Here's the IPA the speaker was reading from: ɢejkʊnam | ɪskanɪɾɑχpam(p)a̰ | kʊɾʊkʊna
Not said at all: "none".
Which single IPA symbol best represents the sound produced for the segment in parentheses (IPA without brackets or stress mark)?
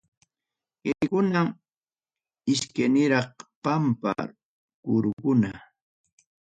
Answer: p